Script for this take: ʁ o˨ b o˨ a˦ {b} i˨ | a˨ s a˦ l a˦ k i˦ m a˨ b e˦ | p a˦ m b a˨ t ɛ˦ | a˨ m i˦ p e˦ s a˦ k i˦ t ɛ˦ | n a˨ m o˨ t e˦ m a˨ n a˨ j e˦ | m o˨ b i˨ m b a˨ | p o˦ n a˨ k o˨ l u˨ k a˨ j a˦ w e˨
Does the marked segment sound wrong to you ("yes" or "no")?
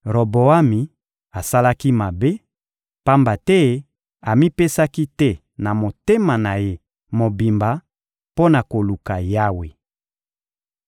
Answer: yes